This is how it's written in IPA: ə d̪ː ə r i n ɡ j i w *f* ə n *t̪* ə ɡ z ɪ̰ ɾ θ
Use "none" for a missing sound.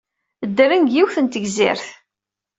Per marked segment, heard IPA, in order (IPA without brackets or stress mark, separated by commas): θ, t̪